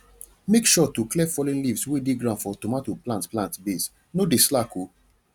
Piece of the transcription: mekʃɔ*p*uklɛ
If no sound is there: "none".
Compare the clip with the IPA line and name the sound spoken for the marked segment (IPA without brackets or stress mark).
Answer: t